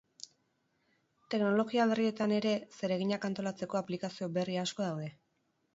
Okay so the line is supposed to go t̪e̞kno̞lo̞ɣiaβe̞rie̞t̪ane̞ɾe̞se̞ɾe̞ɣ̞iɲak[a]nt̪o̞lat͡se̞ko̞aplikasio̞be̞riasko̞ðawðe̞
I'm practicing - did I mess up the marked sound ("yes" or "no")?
no